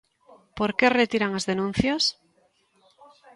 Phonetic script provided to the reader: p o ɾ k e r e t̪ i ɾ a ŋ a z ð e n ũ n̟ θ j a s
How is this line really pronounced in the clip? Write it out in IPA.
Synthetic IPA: p o ɾ k e r e t̪ i ɾ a ŋ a z ð e n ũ n̟ θ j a s

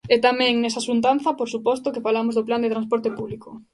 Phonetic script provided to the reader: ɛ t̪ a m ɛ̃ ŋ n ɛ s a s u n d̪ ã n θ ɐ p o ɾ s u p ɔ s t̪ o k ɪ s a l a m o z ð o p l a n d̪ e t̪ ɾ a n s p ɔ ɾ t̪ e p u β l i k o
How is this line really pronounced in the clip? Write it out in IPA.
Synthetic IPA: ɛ t̪ a m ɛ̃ ŋ n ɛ s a s u n t̪ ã n θ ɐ p o ɾ s u p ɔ s t̪ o k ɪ f a l a m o z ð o p l a n d̪ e t̪ ɾ a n s p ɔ ɾ t̪ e p u β l i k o

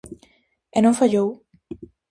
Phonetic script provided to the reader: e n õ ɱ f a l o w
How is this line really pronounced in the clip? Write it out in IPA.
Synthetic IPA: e n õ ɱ f a ʎ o w

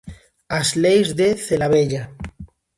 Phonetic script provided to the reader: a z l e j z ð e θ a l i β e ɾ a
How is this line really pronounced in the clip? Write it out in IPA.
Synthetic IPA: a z l e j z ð e θ e l a β e ʎ a

